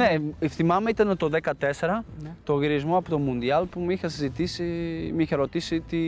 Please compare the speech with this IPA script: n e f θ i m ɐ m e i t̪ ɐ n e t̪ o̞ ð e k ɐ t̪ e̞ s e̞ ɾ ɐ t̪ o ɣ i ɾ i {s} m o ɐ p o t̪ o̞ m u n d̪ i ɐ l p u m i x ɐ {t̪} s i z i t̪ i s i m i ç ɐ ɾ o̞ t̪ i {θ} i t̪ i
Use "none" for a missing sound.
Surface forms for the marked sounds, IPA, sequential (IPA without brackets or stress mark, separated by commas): z, none, s